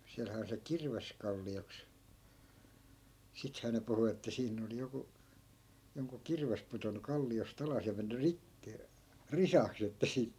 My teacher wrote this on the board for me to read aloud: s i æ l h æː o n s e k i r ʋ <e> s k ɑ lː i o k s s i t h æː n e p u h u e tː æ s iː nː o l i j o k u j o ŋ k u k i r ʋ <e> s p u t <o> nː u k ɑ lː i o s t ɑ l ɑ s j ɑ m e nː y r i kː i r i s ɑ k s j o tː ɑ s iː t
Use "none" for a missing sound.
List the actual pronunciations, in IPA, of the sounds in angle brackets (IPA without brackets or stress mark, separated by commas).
e, e, o